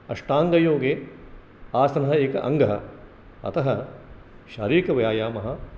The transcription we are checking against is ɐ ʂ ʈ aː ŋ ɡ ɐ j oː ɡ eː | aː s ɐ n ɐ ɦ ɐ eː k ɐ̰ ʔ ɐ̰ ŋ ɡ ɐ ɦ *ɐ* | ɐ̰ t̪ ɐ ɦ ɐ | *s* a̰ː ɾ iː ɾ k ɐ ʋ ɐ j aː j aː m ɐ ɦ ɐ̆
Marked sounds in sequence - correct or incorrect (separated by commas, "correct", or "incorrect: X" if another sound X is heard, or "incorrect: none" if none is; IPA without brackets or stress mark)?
correct, incorrect: ʃ